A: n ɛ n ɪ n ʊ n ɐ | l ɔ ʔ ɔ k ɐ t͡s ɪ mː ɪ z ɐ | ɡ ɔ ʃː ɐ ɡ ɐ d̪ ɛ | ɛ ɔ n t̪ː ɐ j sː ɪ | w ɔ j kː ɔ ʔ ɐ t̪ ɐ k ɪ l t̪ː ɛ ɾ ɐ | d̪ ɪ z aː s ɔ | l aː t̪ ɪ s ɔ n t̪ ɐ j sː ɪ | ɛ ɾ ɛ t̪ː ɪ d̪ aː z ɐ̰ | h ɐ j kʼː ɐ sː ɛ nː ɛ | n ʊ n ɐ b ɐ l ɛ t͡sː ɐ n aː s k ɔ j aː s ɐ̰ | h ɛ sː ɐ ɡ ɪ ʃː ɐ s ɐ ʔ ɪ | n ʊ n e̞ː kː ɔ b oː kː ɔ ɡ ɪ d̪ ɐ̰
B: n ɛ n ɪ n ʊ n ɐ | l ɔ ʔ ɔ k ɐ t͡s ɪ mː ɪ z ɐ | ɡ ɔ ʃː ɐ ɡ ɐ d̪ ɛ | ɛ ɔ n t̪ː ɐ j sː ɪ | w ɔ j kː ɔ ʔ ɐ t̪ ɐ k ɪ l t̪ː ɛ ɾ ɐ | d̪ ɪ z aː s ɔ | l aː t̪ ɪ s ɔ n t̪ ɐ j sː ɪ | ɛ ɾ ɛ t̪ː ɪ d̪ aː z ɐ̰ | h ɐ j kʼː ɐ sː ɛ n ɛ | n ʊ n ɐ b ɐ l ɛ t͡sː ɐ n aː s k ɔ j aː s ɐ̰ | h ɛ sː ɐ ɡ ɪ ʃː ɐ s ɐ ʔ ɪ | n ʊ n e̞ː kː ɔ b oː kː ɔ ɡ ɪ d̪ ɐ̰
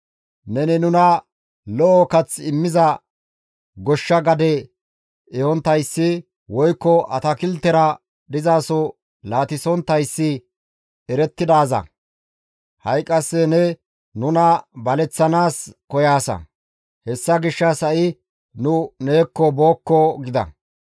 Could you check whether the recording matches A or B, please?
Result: B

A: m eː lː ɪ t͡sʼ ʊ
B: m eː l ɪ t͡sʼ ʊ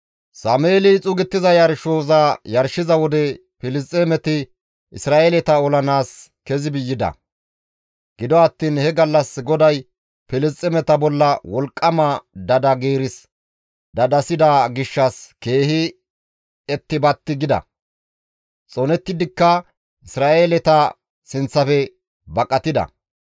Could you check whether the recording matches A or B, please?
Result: B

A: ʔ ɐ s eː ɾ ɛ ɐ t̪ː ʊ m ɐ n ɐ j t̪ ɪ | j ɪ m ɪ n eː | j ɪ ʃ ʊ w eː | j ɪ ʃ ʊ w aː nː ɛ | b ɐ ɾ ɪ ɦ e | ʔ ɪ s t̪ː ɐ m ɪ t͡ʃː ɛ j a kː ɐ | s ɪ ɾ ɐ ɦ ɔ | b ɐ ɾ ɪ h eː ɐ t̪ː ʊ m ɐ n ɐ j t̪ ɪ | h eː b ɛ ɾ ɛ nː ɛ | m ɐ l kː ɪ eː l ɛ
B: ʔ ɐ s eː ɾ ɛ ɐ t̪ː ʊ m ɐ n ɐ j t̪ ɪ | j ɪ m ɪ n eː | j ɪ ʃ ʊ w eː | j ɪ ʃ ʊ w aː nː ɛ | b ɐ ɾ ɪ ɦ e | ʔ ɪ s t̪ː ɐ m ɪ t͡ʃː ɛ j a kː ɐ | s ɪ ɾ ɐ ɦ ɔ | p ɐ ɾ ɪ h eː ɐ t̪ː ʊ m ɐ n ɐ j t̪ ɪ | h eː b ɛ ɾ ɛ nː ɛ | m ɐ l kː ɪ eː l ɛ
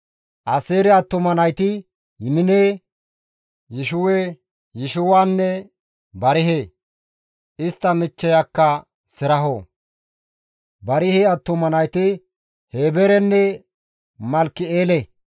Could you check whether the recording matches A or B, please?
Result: A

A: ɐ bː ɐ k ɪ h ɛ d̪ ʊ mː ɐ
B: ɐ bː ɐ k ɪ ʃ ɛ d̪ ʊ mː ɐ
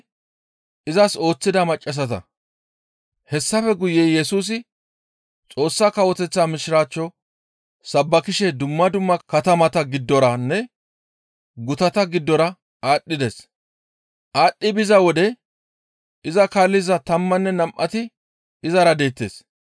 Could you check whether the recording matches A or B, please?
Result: B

